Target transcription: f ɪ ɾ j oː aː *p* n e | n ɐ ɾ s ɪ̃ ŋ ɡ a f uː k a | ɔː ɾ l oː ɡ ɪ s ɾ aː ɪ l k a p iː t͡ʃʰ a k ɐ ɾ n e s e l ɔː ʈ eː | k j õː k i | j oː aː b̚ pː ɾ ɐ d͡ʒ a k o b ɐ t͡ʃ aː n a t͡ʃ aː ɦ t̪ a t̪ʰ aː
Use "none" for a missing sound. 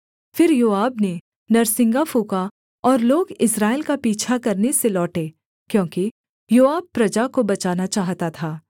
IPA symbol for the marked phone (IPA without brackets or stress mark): b